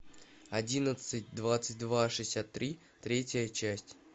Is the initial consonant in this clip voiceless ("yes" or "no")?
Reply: no